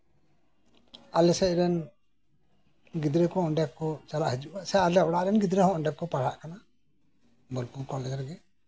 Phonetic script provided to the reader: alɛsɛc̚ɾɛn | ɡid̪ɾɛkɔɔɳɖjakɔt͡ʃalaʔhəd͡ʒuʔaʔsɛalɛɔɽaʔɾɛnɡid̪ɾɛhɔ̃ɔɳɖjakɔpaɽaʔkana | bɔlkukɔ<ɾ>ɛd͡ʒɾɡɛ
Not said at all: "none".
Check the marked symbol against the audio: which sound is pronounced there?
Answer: l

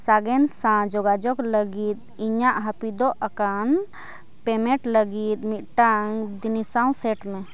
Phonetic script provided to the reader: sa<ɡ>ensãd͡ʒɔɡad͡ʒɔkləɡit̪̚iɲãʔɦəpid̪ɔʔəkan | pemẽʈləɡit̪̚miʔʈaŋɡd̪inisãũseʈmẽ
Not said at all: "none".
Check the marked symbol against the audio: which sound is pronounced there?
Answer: ɡ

